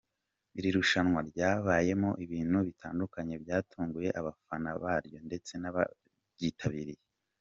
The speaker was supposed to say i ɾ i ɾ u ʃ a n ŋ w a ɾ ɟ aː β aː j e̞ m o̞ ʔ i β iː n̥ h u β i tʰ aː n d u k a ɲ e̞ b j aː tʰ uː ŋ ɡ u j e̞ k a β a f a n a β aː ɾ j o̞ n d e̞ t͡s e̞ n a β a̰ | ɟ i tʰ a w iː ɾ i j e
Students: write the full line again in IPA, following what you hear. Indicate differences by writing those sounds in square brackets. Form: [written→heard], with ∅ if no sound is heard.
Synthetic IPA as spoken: i ɾ i ɾ u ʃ a n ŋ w a ɾ ɟ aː β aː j e̞ m o̞ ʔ i β iː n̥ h u β i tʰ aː n d u k a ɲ e̞ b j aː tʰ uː ŋ ɡ u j e̞ [k→ʔ] a β a f a n a β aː ɾ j o̞ n d e̞ t͡s e̞ n a β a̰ | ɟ i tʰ a [w→β] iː ɾ i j e